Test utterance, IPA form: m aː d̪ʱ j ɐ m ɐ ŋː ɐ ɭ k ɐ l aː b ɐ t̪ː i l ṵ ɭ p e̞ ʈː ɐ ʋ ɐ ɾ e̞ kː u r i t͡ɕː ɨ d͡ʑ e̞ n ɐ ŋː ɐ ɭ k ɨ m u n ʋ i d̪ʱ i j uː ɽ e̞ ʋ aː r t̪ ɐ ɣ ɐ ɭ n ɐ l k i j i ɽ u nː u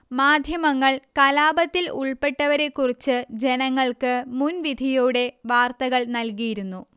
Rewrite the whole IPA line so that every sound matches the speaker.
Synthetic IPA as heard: m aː d̪ʱ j ɐ m ɐ ŋː ɐ ɭ k ɐ l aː b ɐ t̪ː i l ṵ ɭ p e̞ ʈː ɐ ʋ ɐ ɾ e̞ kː u r i t͡ɕː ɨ d͡ʑ e̞ n ɐ ŋː ɐ ɭ k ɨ m u n ʋ i d̪ʱ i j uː ɽ e̞ ʋ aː r t̪ ɐ ɣ ɐ ɭ n ɐ l k i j i ɾ u nː u